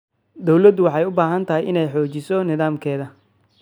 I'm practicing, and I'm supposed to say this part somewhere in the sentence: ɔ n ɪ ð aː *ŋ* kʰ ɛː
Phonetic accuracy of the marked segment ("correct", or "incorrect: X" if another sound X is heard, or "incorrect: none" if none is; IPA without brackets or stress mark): incorrect: m